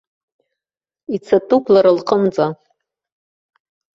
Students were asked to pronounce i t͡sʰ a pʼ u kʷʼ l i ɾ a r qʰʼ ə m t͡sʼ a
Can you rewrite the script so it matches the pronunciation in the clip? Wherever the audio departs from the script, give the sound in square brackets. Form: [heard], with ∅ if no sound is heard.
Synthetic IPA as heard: i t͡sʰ a [tʼ] u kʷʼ l [a] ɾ a [l] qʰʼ ə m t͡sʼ a